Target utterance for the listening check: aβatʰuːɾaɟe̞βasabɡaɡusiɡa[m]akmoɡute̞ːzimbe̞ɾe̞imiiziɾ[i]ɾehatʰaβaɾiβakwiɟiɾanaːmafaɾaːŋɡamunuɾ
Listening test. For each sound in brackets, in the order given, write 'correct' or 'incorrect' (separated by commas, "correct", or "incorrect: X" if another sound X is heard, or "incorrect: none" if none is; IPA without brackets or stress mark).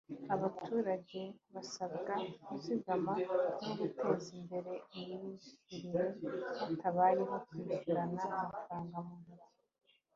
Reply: correct, correct